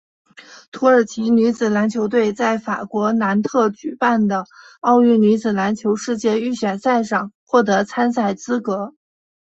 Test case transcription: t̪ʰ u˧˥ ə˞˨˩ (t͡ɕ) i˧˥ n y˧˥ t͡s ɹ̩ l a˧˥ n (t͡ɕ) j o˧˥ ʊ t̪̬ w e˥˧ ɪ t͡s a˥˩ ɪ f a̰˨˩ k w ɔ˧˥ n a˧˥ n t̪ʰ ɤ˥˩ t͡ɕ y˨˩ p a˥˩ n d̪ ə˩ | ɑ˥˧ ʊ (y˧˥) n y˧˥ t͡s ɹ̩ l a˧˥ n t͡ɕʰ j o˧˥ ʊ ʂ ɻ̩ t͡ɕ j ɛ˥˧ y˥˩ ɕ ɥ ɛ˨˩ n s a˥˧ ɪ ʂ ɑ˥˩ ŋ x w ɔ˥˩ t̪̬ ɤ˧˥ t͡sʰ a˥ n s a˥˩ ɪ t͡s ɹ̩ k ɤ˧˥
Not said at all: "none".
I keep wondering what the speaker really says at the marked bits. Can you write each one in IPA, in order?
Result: t͡ɕʰ, t͡ɕʰ, y˥˩

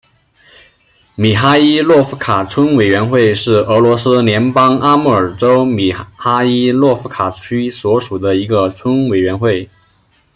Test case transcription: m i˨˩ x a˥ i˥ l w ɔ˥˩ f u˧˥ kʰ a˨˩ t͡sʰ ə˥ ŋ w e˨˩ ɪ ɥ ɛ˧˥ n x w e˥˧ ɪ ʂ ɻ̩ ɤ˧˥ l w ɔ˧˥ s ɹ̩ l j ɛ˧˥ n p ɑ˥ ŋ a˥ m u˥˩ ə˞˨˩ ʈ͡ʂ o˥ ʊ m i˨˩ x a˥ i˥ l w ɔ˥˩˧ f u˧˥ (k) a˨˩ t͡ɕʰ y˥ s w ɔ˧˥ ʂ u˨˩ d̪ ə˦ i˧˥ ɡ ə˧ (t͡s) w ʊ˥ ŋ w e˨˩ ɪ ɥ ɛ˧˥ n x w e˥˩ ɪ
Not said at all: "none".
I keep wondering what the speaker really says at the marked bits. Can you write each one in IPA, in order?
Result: kʰ, t͡sʰ

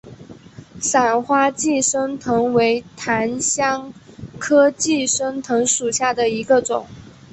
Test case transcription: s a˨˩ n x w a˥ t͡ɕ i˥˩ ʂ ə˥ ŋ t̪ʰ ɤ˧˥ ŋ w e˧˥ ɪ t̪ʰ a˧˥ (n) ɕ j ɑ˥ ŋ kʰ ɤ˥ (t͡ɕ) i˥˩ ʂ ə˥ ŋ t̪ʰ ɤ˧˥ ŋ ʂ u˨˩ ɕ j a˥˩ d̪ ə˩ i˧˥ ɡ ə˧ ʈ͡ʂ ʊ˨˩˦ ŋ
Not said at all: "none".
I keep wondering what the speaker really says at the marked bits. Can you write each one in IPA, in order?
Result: n, t͡ɕ

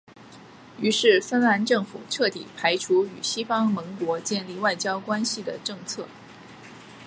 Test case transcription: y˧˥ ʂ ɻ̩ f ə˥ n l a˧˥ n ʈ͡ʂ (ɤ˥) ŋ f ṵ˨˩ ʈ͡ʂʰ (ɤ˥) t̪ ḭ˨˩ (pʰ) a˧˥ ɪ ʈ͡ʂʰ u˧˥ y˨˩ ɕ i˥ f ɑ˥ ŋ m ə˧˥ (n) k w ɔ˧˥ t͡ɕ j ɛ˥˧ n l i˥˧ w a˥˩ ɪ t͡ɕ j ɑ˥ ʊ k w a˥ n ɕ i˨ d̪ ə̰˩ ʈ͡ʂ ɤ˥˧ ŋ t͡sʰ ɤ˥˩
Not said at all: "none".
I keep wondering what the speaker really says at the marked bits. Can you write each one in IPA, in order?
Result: ɤ˥˩, ɤ˥˩, pʰ, ŋ

